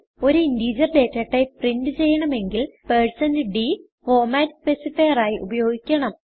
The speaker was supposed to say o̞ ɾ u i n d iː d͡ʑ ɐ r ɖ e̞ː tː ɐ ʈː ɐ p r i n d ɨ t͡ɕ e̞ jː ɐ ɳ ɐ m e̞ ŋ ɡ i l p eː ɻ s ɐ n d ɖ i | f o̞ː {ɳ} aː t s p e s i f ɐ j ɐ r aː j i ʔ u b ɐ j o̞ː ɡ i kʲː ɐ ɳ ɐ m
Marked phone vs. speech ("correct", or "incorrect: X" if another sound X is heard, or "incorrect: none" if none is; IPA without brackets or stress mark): incorrect: m